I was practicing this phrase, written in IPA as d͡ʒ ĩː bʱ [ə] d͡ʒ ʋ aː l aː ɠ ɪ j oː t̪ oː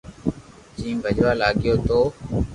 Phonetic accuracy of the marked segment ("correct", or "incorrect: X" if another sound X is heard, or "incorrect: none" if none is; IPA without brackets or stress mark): correct